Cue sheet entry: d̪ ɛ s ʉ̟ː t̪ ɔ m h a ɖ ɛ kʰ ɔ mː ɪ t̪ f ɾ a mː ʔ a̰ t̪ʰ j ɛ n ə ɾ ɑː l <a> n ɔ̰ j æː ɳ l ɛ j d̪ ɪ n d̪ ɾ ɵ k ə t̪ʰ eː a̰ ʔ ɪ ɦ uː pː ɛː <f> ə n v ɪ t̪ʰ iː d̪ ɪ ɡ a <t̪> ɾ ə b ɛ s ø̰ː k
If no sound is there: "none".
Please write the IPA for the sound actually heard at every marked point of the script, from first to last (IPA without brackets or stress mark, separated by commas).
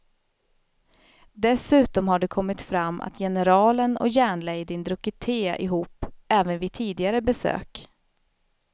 ə, v, none